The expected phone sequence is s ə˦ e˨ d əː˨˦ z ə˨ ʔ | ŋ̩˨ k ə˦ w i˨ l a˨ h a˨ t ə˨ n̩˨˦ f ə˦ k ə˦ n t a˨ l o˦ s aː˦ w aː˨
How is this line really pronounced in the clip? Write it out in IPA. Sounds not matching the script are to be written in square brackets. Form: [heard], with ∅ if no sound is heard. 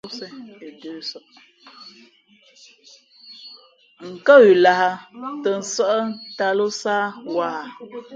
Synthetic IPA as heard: s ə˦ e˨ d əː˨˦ [s] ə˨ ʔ | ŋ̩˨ k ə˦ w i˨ l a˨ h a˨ t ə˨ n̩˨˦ [s] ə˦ [ʔ] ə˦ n t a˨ l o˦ s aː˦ w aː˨